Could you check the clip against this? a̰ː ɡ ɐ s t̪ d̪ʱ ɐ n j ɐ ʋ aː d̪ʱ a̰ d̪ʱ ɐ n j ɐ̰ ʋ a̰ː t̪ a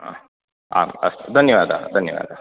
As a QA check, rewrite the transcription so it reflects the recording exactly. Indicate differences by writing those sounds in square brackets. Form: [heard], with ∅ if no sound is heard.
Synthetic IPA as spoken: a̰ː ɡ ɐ s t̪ d̪ʱ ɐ n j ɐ ʋ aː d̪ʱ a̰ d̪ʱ ɐ n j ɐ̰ ʋ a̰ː [d̪] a